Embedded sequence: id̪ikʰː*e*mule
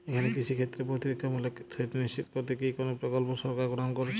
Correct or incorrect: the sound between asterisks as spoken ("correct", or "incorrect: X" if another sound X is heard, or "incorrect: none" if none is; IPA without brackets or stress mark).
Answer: incorrect: a